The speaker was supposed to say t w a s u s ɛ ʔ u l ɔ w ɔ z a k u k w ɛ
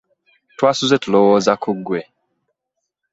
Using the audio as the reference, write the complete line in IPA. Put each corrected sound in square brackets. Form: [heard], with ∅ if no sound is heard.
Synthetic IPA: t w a s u [z] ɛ [t] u l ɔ w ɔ z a k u [ɡ] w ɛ